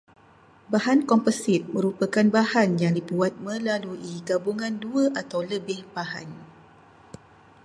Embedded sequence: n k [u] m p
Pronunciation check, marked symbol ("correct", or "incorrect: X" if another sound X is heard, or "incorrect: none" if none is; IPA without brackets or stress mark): incorrect: ɔ